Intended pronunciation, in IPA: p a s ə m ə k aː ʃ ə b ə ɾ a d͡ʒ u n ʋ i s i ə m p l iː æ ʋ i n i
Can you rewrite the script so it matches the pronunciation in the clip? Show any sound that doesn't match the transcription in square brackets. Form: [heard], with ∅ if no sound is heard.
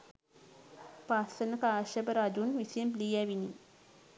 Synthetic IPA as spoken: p a s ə [n] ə k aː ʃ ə b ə ɾ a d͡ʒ u n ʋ i s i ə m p l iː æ ʋ i n i

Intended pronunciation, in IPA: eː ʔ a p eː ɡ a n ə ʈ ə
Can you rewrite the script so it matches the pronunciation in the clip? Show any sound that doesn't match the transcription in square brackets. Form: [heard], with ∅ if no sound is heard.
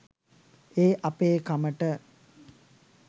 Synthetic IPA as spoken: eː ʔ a p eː [k] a [m] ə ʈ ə

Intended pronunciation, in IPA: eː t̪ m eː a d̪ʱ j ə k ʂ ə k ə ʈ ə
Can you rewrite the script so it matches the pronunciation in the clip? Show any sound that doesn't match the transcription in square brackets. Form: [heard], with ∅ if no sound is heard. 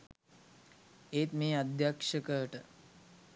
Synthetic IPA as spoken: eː t̪ m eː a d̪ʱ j [a] k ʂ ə k ə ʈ ə

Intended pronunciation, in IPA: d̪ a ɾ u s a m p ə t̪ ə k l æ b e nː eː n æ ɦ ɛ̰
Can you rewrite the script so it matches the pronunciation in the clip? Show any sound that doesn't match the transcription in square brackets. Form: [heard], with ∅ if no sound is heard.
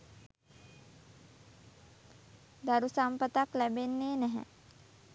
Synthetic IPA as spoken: d̪ a ɾ u s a m p ə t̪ [a] k l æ b e nː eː n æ ɦ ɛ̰

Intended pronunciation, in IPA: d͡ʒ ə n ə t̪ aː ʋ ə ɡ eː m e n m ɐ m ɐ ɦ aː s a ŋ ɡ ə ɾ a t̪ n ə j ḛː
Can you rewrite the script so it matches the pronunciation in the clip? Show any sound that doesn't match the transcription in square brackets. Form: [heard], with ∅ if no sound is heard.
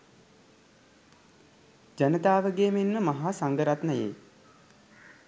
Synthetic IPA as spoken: d͡ʒ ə n ə t̪ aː ʋ ə ɡ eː m e n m [ə] m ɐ ɦ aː s a ŋ ɡ ə ɾ a t̪ n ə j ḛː

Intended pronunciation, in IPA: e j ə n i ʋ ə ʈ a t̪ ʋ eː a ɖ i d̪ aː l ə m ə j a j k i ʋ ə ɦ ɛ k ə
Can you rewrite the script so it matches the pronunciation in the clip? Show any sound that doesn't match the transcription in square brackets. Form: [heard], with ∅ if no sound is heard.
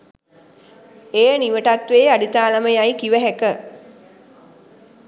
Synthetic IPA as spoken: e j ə n i ʋ ə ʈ a t̪ ʋ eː a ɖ i [t̪] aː l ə m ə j a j k i ʋ ə ɦ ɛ k ə

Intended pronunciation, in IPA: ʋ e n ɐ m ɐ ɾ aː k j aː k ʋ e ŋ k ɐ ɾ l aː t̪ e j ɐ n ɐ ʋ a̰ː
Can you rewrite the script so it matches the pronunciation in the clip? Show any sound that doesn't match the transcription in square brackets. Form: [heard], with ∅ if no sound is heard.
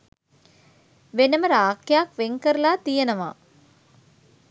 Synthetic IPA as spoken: ʋ e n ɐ m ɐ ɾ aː k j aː k ʋ e ŋ k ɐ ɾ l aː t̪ [i] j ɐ n ɐ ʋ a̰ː

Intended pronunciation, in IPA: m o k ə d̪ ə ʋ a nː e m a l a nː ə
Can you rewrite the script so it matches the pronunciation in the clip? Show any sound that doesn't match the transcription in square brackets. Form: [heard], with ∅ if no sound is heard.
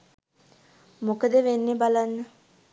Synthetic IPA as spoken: m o k ə d̪ ə ʋ [e] nː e [b] a l a nː ə

